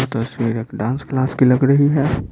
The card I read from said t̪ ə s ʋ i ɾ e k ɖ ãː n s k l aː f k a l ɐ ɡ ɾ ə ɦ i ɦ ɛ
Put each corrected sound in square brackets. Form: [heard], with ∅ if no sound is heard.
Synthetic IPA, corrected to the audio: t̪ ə s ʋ i ɾ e k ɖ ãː n s k l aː [s] k [i] l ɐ ɡ ɾ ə ɦ i ɦ ɛ

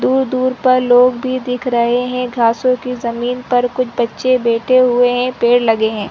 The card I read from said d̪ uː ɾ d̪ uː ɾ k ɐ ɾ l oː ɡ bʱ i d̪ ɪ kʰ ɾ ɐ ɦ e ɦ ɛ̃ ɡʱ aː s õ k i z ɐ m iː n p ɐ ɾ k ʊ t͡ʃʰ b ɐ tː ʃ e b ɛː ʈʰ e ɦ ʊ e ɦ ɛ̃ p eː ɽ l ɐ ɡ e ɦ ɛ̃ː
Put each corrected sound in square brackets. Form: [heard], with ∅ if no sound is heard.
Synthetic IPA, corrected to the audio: d̪ uː ɾ d̪ uː ɾ [p] ɐ ɾ l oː ɡ bʱ i d̪ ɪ kʰ ɾ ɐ ɦ e ɦ ɛ̃ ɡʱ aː s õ k i z ɐ m iː n p ɐ ɾ k ʊ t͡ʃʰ b ɐ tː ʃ e b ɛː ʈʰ e ɦ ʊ e ɦ ɛ̃ p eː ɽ l ɐ ɡ e ɦ ɛ̃ː

